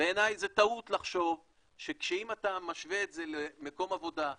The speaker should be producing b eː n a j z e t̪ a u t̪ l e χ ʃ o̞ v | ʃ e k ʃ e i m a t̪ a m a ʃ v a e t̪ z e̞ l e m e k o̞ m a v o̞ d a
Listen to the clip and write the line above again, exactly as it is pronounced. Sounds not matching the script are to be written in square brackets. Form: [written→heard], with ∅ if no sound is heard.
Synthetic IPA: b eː n a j z e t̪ a u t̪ l [e→a] χ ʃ o̞ v | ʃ e k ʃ e i m a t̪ a m a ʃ v [a→e] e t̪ z e̞ l e m e k o̞ m a v o̞ d a